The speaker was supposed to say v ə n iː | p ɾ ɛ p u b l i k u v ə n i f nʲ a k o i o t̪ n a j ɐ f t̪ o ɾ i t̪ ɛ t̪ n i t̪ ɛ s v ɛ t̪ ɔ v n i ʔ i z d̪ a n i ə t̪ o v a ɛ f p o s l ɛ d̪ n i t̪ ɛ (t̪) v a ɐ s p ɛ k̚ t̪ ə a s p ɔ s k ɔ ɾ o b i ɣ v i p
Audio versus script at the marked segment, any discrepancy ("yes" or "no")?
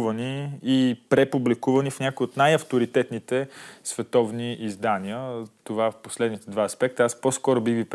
yes